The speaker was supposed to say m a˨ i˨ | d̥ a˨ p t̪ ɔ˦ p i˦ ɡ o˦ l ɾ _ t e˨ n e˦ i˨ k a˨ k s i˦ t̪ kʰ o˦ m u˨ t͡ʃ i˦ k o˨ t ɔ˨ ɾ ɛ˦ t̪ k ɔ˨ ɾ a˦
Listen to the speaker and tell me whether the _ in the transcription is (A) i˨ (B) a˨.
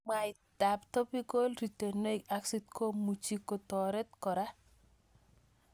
A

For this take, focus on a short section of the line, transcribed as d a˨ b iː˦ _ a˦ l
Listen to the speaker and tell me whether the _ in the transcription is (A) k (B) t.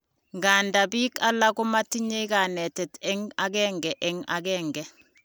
A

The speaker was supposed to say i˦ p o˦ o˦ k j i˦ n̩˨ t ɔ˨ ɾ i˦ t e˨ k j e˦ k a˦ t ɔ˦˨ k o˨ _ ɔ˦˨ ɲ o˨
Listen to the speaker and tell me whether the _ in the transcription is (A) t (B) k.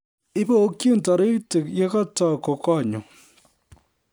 B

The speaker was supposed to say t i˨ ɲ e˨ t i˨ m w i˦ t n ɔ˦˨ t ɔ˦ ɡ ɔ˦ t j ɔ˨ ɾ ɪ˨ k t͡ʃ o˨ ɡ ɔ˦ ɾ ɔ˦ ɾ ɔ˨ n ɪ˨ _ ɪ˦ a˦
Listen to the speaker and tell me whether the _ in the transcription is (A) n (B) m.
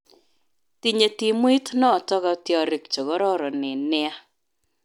A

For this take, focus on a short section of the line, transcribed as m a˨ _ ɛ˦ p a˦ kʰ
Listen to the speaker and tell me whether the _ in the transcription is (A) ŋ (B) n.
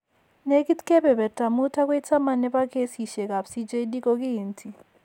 B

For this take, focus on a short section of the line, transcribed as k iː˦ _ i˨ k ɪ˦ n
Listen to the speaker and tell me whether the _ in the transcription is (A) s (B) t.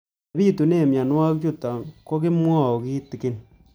B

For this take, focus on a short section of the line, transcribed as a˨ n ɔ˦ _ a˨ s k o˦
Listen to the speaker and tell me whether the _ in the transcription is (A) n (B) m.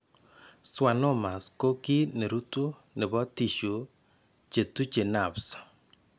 B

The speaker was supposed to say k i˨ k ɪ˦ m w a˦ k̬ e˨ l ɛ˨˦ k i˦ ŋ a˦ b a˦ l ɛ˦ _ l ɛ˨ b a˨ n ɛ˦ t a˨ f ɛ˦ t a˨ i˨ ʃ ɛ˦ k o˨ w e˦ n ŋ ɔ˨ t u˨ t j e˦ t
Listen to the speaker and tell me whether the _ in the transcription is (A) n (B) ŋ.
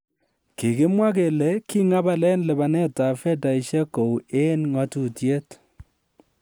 A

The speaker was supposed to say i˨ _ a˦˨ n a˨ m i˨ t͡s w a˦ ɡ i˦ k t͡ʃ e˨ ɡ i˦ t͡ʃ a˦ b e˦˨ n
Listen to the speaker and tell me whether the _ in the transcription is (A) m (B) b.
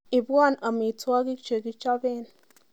B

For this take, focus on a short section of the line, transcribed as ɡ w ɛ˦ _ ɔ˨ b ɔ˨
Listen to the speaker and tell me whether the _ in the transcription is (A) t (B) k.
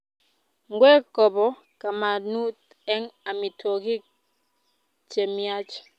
B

